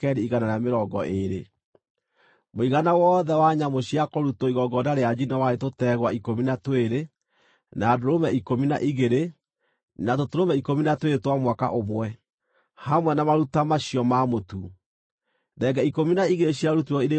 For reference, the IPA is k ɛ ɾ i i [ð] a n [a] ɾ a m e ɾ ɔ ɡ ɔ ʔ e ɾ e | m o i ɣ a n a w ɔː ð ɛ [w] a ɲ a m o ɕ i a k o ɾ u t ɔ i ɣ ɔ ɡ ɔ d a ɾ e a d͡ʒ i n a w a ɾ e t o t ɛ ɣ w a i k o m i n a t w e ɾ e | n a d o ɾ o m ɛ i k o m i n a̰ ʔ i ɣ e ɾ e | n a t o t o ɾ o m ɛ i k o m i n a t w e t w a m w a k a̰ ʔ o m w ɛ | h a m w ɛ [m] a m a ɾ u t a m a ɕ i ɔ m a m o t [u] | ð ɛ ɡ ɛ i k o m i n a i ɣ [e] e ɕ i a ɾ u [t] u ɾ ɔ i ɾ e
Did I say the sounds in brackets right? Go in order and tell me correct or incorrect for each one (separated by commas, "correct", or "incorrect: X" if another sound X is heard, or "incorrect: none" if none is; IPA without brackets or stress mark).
incorrect: ɣ, correct, correct, incorrect: n, correct, correct, correct